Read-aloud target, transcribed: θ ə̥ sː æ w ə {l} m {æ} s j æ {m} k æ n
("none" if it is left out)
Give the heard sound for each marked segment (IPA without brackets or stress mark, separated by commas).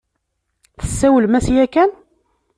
l, æ, none